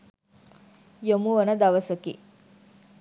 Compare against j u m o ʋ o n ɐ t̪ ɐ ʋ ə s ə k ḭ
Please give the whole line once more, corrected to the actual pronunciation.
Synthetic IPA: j o m u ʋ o n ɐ d̪ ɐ ʋ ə s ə k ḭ